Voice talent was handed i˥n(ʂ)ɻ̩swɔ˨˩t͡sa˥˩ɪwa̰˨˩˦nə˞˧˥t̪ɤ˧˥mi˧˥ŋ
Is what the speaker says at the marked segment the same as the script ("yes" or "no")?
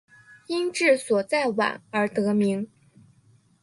no